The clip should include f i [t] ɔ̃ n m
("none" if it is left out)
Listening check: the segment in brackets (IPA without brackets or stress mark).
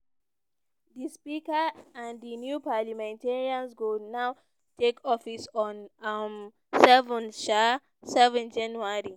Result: s